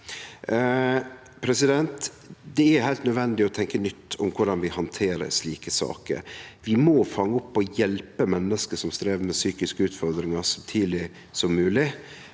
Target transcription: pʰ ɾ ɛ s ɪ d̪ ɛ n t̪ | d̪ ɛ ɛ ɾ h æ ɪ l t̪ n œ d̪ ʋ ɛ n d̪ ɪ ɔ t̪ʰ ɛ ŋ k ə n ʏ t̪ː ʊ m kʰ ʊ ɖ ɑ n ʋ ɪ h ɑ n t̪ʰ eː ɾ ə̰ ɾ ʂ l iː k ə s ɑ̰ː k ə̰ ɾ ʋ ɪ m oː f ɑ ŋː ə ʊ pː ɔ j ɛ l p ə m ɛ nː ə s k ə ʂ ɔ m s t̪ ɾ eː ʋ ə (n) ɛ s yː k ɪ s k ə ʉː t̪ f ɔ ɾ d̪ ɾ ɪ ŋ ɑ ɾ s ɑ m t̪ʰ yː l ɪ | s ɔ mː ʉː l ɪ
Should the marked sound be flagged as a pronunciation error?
yes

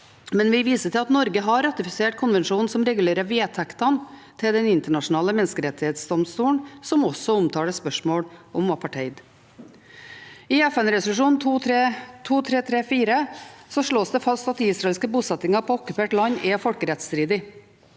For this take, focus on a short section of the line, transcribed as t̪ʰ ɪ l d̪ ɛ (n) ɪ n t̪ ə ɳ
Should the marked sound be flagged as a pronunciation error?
no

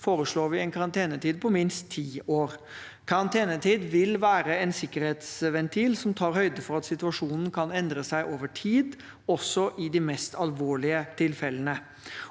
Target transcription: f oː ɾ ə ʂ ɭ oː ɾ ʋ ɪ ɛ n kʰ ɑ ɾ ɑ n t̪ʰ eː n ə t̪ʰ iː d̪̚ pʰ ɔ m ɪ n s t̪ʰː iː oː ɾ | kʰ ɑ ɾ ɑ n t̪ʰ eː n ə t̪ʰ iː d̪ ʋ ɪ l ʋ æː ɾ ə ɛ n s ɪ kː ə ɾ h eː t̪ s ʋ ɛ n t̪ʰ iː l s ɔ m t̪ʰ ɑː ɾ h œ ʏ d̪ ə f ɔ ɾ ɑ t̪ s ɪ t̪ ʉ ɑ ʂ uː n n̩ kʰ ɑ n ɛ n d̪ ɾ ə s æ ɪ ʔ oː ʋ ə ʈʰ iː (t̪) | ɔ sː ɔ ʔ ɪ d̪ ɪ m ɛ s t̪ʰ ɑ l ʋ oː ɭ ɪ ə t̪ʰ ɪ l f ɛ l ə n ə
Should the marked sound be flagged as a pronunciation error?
yes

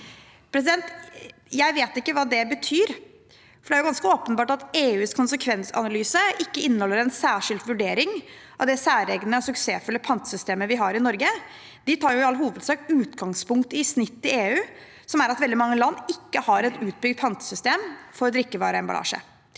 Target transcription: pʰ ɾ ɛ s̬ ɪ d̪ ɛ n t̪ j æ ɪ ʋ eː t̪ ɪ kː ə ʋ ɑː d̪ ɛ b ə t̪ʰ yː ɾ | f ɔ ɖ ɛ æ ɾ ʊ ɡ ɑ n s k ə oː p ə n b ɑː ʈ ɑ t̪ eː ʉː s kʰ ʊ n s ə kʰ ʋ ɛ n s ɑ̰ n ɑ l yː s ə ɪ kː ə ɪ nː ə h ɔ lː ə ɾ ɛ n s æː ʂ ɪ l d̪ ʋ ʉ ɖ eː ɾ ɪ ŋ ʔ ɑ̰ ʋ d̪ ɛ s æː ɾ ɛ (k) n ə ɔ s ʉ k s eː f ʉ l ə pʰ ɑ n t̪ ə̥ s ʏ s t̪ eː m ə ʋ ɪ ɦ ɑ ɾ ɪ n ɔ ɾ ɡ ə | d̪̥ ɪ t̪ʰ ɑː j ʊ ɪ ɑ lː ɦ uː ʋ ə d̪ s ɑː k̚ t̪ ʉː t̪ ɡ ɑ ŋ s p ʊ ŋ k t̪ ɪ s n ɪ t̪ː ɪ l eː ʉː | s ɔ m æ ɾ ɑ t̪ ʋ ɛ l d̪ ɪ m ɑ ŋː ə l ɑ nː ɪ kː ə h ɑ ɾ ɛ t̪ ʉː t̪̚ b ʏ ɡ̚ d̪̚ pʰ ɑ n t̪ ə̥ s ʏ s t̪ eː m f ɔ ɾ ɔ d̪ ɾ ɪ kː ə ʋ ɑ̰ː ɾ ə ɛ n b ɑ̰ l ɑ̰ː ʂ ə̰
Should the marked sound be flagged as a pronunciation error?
yes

